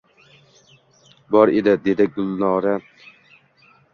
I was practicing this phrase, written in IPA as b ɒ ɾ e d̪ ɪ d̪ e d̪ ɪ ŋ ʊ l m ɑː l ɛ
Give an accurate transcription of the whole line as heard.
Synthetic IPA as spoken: b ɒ ɾ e d̪ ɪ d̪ e d̪ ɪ ɡ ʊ l n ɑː ɾ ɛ

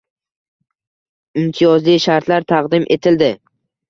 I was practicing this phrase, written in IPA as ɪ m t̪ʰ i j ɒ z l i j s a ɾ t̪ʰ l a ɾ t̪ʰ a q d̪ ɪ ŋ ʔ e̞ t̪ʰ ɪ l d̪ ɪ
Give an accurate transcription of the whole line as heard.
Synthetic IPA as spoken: ɪ m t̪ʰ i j ɒ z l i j ʃ a ɾ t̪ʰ l a ɾ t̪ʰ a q d̪ ɪ m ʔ e̞ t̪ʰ ɪ l d̪ ɪ

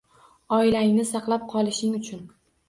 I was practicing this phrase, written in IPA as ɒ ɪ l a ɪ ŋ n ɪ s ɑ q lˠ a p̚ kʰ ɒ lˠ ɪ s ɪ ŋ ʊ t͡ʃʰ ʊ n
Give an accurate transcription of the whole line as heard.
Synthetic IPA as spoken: ɒ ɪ l a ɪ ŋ n ɪ s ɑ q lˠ a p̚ qʰ ɒ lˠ ɪ ʃ ɪ ŋ ʊ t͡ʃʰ ʊ n

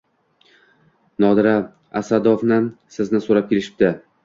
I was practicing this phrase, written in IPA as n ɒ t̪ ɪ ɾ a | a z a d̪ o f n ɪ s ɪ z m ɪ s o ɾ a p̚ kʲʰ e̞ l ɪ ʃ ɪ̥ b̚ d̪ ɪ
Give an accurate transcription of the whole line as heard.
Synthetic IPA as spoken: n ɒ d̪ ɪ ɾ a | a s a d̪ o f n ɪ s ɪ z n ɪ s o ɾ a p̚ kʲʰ e̞ l ɪ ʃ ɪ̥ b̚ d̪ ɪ

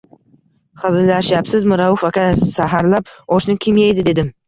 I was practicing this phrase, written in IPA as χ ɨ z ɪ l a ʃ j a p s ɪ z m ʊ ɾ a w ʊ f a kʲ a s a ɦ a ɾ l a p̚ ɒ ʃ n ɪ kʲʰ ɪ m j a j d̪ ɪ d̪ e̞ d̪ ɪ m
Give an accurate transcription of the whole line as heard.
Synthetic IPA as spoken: χ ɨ z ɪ l a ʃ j a p s ɪ z m ʊ ɾ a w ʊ f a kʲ a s a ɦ a ɾ l a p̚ ɒ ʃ n ɪ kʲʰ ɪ m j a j d̪ ɪ d̪ e̞ d̪ ɪ m

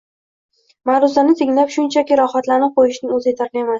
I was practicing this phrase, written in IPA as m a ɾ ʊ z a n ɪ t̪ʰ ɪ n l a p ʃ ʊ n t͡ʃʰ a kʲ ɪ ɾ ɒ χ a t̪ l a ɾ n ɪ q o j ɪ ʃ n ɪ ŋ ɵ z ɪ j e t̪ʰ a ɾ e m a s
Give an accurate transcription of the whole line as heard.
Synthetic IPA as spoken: m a ɾ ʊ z a n ɪ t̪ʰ ɪ ŋ l a p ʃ ʊ n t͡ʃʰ a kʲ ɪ ɾ ɒ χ a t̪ l a ɾ n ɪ q o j ɪ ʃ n ɪ ŋ ɵ z ɪ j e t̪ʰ a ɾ e m a s

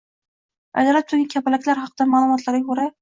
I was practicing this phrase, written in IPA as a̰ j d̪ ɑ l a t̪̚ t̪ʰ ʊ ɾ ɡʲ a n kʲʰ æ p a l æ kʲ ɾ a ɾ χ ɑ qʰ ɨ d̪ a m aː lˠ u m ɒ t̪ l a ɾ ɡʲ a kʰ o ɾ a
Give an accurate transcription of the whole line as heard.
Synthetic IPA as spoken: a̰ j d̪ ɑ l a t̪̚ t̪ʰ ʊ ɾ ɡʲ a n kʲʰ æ p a l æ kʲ l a ɾ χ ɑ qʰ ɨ d̪ a m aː lˠ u m ɒ t̪ l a ɾ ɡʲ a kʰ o ɾ a

